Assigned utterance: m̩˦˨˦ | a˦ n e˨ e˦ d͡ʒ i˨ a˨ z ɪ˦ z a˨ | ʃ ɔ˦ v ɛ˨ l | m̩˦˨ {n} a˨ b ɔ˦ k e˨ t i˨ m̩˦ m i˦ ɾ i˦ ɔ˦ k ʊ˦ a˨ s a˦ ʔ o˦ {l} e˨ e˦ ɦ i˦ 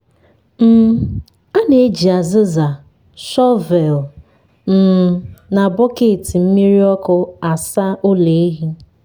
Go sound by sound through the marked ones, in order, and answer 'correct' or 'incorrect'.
correct, correct

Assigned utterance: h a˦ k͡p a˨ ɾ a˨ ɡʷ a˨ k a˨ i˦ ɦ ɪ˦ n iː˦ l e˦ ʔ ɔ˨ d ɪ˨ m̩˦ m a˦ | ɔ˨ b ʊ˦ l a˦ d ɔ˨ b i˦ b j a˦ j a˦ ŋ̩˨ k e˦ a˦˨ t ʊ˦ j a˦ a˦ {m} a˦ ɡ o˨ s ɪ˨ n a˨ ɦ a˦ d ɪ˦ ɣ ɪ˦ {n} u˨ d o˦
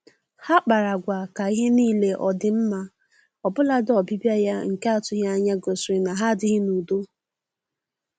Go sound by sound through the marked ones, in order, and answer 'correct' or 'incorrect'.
incorrect: ɲ, correct

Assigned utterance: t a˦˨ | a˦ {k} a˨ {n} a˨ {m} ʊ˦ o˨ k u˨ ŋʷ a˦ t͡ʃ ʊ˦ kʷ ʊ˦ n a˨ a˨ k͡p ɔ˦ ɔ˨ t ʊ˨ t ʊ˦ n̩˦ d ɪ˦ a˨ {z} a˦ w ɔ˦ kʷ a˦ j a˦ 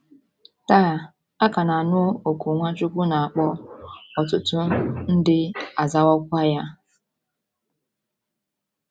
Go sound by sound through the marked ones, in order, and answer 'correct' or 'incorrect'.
correct, correct, incorrect: n, correct

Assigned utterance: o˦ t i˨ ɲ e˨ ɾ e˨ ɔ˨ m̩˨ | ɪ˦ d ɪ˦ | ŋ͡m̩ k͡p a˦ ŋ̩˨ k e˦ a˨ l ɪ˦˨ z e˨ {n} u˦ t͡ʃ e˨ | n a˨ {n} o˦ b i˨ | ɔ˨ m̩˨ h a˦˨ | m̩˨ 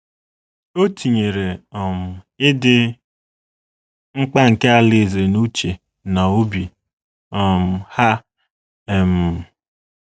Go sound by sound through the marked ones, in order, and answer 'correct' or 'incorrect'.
correct, incorrect: none

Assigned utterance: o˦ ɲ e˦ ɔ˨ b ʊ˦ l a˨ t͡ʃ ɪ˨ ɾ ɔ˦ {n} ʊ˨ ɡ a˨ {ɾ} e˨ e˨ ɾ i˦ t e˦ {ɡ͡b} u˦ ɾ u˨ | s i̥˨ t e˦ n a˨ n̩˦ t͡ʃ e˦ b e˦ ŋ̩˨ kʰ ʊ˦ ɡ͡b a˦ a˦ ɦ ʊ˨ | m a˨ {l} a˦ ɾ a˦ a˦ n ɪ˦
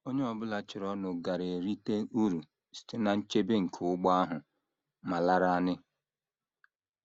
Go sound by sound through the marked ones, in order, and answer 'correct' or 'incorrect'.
correct, correct, incorrect: none, correct

